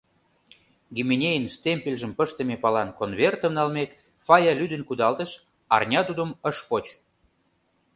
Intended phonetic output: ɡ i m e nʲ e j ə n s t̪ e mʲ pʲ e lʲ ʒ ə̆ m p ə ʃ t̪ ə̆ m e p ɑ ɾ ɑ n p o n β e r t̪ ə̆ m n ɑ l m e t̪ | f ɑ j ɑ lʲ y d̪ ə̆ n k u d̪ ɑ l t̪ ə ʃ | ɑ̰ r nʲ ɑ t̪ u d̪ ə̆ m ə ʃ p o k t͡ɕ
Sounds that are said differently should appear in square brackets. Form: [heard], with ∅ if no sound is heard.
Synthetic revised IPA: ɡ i m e nʲ e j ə n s t̪ e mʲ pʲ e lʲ ʒ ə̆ m p ə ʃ t̪ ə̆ m e p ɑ [l] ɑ n [k] o n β e r t̪ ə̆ m n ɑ l m e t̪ | f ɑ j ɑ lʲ y d̪ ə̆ n k u d̪ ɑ l t̪ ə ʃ | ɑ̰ r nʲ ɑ t̪ u d̪ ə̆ m ə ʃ p o [∅] t͡ɕ